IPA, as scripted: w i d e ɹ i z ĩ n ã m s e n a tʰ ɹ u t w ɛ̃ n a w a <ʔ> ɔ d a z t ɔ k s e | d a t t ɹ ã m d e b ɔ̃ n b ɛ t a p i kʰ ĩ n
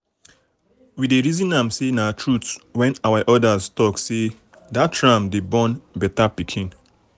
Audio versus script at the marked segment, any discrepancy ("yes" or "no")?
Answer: no